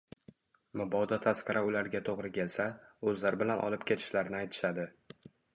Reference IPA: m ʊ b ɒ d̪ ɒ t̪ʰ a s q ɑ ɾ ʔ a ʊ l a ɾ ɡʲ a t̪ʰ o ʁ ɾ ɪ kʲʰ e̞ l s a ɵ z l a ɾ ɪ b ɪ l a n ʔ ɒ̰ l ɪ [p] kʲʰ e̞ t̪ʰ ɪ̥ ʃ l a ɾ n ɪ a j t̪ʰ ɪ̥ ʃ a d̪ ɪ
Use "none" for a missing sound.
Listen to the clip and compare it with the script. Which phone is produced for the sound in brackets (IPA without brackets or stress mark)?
p